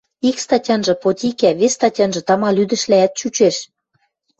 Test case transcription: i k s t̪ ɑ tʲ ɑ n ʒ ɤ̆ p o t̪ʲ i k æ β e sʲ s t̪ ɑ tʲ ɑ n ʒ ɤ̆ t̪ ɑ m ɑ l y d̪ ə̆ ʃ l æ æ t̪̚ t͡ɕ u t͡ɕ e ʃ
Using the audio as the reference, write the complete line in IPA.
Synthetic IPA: i k s t̪ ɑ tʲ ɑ n ʒ ɤ̆ p o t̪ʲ i k æ β e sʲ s t̪ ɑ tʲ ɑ n ʒ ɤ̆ t̪ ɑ m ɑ l y d̪ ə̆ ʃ l æ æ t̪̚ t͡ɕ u t͡ɕ e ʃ